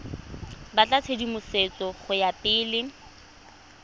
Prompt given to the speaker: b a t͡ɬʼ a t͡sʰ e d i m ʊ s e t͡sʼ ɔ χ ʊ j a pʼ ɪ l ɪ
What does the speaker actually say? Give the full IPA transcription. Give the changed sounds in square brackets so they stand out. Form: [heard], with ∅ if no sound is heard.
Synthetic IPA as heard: b a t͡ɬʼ a t͡sʰ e d i m ʊ s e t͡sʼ ɔ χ ʊ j a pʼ [ɪː] l ɪ